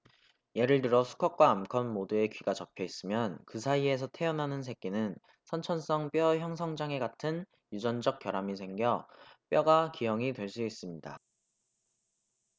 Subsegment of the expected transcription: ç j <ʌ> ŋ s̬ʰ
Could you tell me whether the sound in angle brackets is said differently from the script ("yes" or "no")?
no